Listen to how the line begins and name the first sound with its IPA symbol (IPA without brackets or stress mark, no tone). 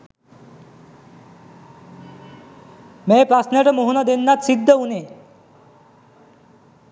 m